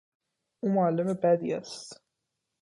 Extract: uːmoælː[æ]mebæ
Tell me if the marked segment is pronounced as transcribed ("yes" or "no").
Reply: no